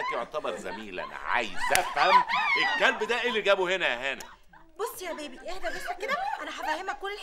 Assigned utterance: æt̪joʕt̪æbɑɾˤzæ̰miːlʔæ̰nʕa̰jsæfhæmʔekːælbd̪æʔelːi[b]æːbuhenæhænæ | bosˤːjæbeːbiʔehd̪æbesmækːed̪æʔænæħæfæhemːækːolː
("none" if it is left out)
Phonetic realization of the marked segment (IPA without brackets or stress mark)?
ɡ